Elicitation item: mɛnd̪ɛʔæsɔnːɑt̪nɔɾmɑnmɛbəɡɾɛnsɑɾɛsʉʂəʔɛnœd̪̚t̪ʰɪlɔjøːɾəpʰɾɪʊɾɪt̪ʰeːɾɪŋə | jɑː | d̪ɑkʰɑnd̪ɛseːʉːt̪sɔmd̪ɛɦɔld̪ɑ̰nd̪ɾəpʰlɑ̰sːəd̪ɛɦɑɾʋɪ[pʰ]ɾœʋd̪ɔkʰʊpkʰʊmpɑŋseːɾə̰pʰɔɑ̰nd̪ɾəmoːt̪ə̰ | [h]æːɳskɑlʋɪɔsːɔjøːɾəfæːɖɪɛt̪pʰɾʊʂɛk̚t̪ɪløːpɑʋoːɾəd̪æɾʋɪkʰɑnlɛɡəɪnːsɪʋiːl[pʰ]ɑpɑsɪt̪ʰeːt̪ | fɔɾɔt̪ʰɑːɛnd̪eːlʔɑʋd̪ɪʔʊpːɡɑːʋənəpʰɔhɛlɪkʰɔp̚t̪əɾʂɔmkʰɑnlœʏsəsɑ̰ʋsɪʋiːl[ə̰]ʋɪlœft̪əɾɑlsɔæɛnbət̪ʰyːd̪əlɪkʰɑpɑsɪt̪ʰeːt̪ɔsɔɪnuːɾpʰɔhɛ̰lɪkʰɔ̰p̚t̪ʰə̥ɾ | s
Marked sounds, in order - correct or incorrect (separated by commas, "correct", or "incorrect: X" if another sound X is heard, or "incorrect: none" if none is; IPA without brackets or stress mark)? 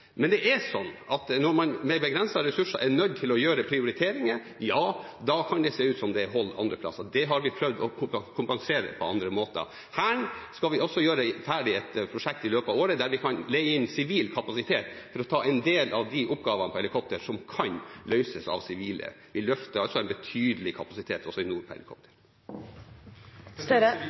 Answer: correct, correct, incorrect: kʰ, correct